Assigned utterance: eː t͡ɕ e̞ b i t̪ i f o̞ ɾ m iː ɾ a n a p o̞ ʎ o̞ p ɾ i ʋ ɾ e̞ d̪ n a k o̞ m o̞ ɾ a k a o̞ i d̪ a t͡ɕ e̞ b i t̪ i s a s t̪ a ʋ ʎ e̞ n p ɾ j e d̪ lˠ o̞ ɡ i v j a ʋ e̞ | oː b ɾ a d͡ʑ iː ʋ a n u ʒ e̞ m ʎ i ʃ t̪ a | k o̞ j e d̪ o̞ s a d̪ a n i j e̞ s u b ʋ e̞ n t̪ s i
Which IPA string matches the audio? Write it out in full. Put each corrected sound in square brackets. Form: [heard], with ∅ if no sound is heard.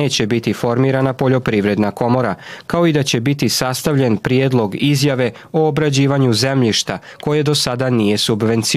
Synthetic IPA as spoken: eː t͡ɕ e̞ b i t̪ i f o̞ ɾ m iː ɾ a n a p o̞ ʎ o̞ p ɾ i ʋ ɾ e̞ d̪ n a k o̞ m o̞ ɾ a k a o̞ i d̪ a t͡ɕ e̞ b i t̪ i s a s t̪ a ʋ ʎ e̞ n p ɾ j e d̪ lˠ o̞ ɡ i [z] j a ʋ e̞ | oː b ɾ a d͡ʑ iː ʋ a [ɲ] u [z] e̞ m ʎ i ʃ t̪ a | k o̞ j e d̪ o̞ s a d̪ a n i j e̞ s u b ʋ e̞ n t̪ s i